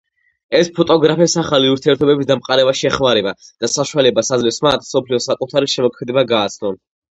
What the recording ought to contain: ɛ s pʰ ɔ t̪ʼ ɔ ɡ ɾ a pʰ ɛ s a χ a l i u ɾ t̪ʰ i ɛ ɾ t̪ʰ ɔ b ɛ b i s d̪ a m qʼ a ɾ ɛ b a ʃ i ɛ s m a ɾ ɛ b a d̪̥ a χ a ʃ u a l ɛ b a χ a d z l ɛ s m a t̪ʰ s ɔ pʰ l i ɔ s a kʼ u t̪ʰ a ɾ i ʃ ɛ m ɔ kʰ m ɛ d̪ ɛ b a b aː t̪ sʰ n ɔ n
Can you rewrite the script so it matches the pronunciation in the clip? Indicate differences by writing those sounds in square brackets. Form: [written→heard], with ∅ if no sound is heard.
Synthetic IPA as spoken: ɛ s pʰ ɔ t̪ʼ ɔ ɡ ɾ a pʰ ɛ s a χ a l i u ɾ t̪ʰ i ɛ ɾ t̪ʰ ɔ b ɛ b i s d̪ a m qʼ a ɾ ɛ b a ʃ i ɛ [s→χ] m a ɾ ɛ b a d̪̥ a [χ→s] a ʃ u a l ɛ b a [χ→s] a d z l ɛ s m a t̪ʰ s ɔ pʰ l i ɔ s a kʼ u t̪ʰ a ɾ i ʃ ɛ m ɔ kʰ m ɛ d̪ ɛ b a [b→ɡ] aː t̪ sʰ n ɔ n